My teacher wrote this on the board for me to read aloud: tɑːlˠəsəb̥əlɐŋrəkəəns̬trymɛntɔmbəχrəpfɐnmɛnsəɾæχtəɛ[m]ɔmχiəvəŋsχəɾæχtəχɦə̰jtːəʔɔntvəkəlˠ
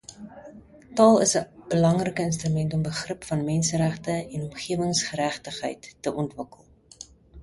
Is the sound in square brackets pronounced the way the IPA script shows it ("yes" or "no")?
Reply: no